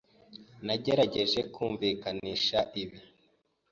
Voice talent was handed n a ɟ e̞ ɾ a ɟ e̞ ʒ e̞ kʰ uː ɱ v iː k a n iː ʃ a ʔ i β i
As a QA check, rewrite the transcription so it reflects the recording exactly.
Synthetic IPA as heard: n a ɟ e̞ ɾ a ɟ e̞ ʒ e̞ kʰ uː ɱ v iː k a n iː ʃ a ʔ i β i